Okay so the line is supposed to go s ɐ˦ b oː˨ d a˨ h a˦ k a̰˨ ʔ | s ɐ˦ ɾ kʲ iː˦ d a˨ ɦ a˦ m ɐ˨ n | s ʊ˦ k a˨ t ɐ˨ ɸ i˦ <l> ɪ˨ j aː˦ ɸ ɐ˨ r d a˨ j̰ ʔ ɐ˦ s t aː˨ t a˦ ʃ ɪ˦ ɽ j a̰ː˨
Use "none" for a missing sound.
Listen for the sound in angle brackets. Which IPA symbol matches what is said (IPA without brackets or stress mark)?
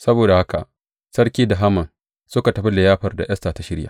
l